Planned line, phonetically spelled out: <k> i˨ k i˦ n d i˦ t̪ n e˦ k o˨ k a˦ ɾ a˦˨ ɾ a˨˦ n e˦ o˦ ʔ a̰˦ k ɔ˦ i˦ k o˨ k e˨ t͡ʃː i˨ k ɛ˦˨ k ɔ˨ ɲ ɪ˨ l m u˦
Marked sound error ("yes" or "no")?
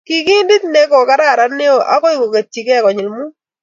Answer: no